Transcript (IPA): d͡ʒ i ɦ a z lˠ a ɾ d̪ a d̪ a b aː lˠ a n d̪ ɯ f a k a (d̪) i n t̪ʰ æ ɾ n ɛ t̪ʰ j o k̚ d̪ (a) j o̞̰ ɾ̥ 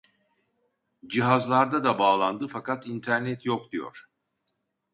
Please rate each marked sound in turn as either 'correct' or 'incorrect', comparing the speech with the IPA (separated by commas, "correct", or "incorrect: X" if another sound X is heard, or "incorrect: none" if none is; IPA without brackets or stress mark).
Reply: incorrect: t̪, incorrect: i